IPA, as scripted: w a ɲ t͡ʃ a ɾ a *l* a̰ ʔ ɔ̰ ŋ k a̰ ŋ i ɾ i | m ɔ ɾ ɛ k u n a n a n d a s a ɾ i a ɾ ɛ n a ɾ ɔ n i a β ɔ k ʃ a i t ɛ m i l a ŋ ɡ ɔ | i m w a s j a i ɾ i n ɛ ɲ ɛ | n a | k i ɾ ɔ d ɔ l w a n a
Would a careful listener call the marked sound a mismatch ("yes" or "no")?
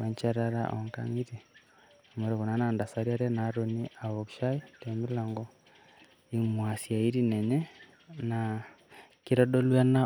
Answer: yes